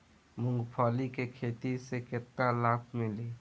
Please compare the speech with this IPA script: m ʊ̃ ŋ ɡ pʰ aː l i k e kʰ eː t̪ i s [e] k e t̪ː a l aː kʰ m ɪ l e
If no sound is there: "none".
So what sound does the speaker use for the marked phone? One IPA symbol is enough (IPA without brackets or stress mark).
e